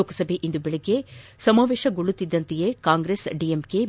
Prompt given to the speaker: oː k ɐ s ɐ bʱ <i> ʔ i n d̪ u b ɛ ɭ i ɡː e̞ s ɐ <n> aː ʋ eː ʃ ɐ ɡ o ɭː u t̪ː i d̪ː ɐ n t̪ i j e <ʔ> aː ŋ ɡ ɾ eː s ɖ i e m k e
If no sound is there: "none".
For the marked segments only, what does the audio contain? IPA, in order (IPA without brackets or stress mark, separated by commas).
e, m, k